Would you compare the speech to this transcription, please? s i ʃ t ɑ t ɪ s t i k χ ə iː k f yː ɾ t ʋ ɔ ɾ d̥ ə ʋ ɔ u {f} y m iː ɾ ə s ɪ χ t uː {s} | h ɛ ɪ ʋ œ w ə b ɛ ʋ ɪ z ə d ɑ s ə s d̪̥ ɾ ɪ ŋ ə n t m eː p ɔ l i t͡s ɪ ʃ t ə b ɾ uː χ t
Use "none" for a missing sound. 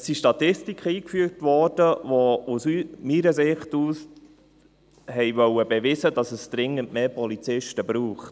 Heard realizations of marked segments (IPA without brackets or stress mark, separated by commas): s, s